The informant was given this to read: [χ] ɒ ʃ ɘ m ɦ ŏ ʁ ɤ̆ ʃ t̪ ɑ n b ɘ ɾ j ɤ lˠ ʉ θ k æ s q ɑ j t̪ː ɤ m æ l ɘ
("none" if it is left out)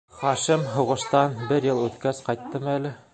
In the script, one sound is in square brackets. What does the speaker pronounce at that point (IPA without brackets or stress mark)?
χ